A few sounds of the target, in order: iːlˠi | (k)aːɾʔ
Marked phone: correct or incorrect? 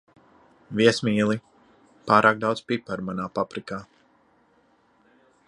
incorrect